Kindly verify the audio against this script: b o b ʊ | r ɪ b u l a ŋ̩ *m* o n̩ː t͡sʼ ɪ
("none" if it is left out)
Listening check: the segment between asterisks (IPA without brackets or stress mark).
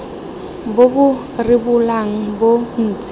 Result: b